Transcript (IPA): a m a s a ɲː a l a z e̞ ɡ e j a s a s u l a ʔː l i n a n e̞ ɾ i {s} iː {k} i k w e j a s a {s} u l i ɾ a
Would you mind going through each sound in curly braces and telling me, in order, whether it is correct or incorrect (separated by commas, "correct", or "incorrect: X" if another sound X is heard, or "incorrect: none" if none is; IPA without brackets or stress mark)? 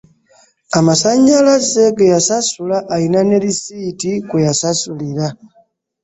correct, incorrect: t, correct